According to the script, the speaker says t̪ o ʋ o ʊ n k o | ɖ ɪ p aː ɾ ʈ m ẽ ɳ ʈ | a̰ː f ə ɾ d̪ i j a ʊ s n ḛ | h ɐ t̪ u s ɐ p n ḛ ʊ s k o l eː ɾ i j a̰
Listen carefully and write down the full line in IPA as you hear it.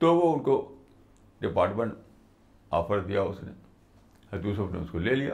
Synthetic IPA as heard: t̪ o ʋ o ʊ n k o | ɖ ɪ p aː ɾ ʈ m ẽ ɳ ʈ | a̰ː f ə ɾ d̪ i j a ʊ s n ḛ | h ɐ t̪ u s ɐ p n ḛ ʊ s k o l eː l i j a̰